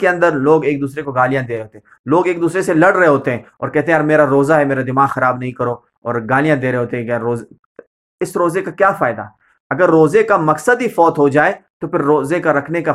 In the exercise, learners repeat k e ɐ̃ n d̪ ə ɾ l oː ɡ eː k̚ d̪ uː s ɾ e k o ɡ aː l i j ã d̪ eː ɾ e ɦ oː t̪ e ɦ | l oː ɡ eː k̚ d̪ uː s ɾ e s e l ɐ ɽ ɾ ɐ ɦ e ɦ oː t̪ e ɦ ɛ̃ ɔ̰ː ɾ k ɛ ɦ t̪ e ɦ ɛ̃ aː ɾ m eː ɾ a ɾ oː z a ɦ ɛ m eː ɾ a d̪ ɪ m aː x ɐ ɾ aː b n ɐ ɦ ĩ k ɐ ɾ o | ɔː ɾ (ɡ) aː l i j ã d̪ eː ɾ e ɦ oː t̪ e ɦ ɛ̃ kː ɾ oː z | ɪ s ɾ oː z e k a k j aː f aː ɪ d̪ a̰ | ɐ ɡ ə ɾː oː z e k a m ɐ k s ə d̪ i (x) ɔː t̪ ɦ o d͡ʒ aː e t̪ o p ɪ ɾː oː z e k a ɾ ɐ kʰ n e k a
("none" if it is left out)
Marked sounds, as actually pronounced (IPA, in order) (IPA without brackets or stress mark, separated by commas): ɡ, f